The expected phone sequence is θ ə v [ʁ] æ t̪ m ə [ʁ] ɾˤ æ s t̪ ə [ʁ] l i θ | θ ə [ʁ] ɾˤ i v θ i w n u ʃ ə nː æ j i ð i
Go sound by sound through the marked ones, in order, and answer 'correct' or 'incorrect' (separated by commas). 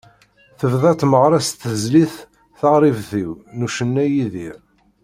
incorrect, correct, incorrect, correct